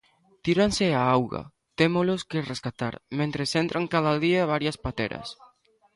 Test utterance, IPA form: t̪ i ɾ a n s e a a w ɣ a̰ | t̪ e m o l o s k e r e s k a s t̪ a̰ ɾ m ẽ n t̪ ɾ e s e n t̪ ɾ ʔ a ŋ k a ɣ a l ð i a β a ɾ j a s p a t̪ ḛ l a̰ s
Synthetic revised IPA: t̪ i ɾ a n s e a a w ɣ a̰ | t̪ e m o l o s k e r e s k a t̪ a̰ ɾ m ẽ n t̪ ɾ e s e n t̪ ɾ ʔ a ŋ k a ð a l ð i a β a ɾ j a s p a t̪ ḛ ɾ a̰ s